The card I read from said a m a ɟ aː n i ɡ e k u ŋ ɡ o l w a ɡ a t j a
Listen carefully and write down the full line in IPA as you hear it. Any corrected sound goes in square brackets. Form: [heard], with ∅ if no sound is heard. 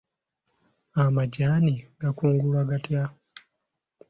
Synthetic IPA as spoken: a m a ɟ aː n i ɡ [a] k [uː] ŋ ɡ [u] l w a ɡ a t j a